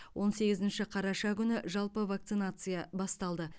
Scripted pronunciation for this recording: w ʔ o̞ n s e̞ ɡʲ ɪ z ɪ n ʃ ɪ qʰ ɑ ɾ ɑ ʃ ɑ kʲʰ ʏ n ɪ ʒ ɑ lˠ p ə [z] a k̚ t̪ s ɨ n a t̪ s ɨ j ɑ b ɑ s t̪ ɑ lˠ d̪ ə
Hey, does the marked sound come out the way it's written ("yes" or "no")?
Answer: no